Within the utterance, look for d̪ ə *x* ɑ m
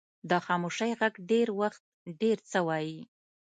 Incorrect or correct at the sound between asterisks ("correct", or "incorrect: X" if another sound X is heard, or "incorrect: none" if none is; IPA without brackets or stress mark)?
correct